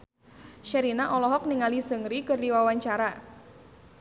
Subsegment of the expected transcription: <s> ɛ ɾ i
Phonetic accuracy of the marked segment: incorrect: ʃ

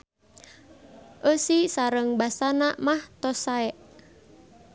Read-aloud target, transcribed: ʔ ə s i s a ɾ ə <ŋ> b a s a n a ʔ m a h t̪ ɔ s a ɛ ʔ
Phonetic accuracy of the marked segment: correct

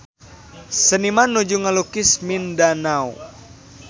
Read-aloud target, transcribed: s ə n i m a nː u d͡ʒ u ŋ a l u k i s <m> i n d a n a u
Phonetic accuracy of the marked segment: correct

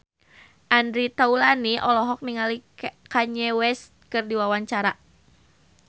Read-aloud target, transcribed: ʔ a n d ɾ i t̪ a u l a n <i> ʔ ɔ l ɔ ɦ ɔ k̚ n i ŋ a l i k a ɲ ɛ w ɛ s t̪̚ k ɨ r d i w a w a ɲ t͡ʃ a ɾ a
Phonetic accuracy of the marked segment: correct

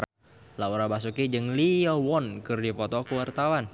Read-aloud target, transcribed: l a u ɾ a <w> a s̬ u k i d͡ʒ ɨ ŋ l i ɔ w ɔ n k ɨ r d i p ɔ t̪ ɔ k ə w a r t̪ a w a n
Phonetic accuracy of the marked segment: incorrect: b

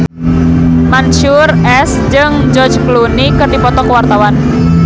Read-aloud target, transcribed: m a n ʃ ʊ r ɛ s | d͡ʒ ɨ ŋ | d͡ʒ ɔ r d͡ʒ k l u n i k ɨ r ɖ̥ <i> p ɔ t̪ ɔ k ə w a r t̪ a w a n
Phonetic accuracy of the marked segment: correct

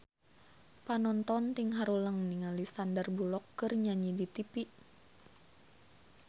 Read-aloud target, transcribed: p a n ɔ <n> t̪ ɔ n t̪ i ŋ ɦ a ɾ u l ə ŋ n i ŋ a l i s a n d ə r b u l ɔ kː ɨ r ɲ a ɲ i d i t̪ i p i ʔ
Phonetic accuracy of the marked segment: correct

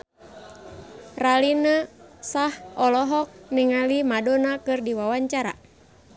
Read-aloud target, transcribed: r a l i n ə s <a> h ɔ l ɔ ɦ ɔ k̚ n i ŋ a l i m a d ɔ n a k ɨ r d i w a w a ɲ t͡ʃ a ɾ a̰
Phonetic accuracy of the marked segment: correct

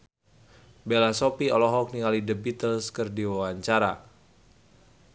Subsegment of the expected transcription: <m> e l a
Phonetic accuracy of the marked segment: incorrect: b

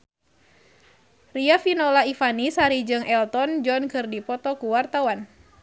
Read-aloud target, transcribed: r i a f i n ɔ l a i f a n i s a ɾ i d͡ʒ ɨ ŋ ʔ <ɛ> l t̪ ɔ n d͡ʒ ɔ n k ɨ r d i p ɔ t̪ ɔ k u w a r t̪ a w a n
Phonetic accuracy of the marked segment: correct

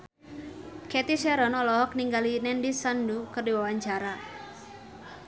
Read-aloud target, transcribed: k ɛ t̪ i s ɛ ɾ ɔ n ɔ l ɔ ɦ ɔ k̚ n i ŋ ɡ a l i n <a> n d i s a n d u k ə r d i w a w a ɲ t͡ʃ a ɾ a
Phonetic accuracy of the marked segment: incorrect: ɛ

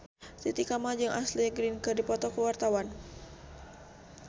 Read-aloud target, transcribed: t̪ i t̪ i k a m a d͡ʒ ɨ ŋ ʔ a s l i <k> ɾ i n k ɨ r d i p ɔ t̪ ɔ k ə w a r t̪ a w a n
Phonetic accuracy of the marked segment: incorrect: ɡ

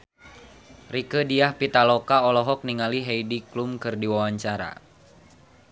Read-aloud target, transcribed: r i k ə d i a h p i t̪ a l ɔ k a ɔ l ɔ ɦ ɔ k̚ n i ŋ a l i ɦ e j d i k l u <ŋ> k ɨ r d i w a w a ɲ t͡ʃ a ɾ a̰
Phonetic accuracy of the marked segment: incorrect: m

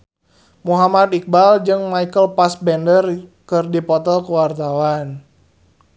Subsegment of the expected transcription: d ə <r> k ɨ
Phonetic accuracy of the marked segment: correct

